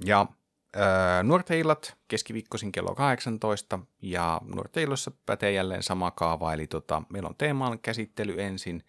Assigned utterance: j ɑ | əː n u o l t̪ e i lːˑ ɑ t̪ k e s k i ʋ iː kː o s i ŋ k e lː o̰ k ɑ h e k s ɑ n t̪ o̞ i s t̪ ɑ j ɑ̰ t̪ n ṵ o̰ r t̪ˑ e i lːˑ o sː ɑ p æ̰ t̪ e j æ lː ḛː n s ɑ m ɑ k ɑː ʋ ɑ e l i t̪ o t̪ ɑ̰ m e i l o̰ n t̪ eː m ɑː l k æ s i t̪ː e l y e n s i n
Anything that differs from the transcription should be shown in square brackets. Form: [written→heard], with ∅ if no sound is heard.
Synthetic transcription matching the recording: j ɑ | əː n u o [l→r] t̪ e i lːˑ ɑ t̪ k e s k i ʋ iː kː o s i ŋ k e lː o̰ k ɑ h e k s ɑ n t̪ o̞ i s t̪ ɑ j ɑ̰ [t̪→∅] n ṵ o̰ r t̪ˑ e i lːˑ o sː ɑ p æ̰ t̪ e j æ lː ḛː n s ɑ m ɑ k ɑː ʋ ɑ e l i t̪ o t̪ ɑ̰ m e i l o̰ n t̪ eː m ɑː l k æ s i t̪ː e l y e n s i n